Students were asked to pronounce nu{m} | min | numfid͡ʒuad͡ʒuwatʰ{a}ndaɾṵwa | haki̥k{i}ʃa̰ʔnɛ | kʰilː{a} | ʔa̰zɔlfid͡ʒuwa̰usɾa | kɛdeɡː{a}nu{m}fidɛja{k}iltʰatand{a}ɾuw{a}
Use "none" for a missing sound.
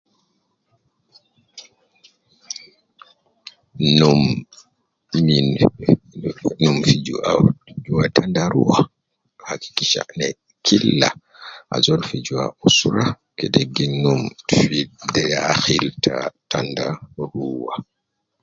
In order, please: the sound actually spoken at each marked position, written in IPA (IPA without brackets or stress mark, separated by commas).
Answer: m, a, i, a, i, m, x, a, a